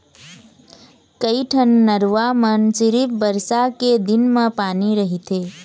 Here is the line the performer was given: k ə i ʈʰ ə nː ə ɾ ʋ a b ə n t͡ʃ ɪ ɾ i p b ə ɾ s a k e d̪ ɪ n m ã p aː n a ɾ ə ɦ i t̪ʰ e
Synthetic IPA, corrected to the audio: k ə i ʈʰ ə nː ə ɾ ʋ a m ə n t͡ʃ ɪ ɾ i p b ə ɾ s a k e d̪ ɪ n m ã p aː n i ɾ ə ɦ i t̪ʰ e